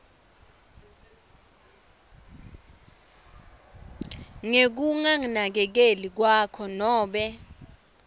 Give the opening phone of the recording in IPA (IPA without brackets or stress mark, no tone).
ŋ